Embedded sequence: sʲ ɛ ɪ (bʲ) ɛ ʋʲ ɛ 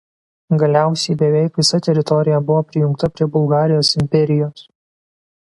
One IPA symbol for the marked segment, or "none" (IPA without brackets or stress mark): bʲ